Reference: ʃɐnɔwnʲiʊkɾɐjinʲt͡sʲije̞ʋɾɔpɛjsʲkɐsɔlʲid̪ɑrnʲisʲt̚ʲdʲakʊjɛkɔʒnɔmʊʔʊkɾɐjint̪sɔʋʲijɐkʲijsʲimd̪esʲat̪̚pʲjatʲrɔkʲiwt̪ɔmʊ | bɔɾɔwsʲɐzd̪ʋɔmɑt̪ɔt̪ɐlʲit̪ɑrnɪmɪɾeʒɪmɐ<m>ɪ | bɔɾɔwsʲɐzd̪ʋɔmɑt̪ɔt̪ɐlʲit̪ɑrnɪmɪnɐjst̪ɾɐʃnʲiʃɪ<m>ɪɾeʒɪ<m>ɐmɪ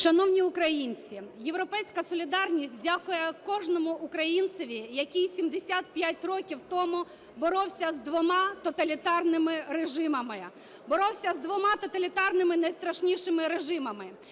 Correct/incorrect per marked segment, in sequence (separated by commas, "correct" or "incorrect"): correct, correct, correct